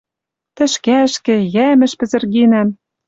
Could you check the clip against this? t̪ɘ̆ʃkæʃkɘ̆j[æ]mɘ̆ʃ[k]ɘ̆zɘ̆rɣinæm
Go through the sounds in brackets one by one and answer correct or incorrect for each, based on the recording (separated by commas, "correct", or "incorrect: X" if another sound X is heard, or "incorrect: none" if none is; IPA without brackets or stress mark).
correct, incorrect: p